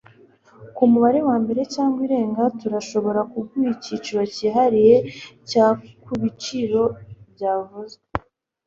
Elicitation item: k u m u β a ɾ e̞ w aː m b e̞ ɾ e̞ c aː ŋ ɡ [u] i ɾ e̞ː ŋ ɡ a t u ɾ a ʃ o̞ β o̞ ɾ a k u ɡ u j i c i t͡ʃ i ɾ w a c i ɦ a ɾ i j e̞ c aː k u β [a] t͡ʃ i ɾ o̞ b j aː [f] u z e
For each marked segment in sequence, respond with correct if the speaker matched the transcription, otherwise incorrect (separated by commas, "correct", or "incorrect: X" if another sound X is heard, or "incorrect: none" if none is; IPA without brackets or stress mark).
incorrect: w, incorrect: i, incorrect: v